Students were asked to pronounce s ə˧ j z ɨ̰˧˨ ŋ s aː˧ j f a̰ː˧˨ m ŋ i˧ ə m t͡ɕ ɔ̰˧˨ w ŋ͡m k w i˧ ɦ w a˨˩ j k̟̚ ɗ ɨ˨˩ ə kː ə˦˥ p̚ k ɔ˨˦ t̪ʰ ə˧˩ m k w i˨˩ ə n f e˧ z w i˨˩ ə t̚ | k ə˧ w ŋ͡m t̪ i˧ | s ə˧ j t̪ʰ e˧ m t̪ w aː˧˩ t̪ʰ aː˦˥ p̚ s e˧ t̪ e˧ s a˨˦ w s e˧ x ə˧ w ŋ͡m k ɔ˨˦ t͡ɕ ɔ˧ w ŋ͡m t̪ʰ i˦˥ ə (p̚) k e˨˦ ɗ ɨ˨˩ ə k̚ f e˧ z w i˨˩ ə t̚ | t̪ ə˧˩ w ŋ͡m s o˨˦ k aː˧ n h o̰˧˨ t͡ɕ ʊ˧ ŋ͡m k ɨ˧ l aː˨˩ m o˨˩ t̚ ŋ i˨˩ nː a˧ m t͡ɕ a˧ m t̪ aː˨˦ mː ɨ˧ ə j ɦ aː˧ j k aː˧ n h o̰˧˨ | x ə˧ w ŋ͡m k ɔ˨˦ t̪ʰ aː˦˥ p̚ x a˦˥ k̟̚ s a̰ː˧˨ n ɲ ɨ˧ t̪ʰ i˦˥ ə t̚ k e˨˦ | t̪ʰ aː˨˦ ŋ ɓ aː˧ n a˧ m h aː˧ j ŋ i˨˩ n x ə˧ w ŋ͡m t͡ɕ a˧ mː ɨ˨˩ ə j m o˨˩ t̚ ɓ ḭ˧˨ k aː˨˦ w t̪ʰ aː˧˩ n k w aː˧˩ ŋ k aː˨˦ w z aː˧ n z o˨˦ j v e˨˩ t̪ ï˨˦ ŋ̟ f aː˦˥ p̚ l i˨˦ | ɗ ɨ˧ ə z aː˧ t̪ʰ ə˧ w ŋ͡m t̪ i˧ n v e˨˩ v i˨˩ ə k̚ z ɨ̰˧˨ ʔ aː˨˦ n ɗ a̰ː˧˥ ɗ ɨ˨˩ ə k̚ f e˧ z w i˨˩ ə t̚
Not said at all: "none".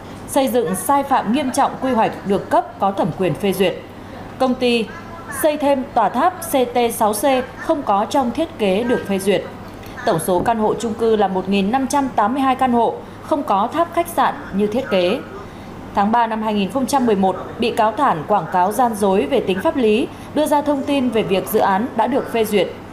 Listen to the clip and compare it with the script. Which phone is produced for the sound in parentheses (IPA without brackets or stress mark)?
t̚